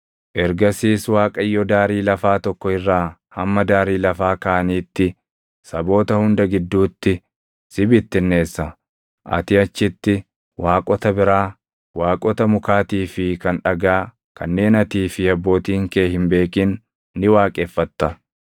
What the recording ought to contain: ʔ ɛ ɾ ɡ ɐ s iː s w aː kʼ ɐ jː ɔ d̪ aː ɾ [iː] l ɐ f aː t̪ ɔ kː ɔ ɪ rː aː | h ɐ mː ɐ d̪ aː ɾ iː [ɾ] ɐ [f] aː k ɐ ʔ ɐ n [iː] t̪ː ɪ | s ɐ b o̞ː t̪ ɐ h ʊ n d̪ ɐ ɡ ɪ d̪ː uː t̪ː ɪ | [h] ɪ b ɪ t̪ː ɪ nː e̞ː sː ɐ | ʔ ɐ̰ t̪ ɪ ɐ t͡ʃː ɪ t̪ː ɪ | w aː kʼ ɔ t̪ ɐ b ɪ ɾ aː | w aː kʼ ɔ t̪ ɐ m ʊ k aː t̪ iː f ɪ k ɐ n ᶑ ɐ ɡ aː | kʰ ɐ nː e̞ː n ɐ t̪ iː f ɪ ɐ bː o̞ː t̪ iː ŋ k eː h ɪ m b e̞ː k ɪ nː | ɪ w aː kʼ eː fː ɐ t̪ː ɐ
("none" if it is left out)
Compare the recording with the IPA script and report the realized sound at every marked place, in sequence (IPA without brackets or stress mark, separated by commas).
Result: iː, l, f, iː, s